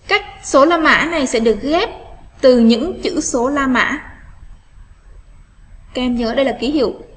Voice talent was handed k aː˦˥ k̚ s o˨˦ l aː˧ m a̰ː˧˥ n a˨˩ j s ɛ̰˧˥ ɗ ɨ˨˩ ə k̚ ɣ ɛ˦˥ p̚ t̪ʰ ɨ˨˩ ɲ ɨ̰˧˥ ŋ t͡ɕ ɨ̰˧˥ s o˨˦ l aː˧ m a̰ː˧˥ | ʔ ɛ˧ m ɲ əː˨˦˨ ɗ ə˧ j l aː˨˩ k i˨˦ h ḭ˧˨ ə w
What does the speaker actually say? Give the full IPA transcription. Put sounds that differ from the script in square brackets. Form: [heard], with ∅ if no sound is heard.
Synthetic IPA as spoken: k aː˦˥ k̚ s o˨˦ l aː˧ m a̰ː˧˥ n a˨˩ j s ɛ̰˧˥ ɗ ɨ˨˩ ə k̚ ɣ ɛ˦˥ p̚ [t̪] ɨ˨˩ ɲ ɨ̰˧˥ ŋ t͡ɕ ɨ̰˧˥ s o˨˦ l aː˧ m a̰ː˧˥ | [k] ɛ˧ m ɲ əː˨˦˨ ɗ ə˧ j l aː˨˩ k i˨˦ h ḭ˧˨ ə w